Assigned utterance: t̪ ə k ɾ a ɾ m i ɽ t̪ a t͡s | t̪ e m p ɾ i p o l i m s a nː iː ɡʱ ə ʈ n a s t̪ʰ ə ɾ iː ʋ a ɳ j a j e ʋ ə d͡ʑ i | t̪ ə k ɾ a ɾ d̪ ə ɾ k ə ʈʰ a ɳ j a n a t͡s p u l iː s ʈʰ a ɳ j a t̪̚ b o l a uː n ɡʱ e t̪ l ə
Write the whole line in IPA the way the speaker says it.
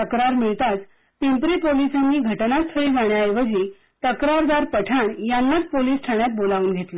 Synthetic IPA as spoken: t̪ ə k ɾ a ɾ m i ɭ t̪ a t͡s | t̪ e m p ɾ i p o l i s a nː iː ɡʱ ə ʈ n a s t̪ʰ ə ɭ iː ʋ a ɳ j a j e ʋ ə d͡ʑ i | t̪ ə k ɾ a ɾ d̪ a ɾ p ə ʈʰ a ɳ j a nː a t͡s p o l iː s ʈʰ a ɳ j a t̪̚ b o l a uː n ɡʱ e t̪ l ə